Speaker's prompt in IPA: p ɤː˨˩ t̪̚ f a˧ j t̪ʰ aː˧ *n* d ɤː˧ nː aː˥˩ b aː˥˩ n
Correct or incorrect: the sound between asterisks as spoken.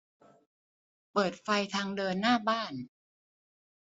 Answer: incorrect: ŋ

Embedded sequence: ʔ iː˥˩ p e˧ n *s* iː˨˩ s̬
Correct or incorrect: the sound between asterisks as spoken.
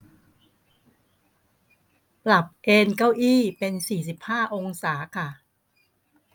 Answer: correct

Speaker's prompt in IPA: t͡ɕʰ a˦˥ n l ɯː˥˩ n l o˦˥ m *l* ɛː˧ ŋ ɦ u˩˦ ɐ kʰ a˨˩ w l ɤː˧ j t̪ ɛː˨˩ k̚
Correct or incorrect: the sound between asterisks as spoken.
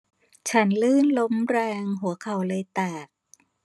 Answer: incorrect: ɾ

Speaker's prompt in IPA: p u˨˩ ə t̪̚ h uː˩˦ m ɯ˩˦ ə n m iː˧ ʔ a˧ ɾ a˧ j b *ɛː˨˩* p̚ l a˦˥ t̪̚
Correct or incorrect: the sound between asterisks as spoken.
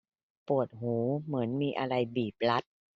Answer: incorrect: iː˨˩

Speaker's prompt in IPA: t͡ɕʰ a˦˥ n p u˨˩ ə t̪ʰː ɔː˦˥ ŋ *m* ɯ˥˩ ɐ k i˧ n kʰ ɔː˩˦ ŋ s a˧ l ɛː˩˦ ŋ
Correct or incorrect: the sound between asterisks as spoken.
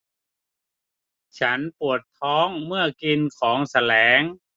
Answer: correct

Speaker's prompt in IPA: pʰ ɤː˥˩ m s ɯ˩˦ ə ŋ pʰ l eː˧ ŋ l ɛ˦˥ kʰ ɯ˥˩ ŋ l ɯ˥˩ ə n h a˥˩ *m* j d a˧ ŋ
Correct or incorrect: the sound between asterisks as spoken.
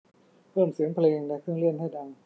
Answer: incorrect: none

